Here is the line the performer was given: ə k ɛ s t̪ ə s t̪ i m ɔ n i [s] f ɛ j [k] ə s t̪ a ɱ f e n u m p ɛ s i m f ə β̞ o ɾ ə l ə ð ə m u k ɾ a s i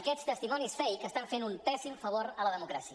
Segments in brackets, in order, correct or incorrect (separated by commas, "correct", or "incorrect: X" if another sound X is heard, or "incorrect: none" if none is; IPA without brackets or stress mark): correct, correct